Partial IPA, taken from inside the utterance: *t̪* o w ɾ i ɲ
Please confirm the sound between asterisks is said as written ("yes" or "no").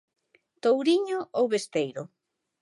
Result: yes